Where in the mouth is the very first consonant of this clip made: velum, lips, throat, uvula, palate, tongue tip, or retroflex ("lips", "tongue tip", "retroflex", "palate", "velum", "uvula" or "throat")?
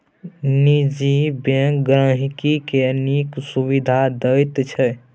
tongue tip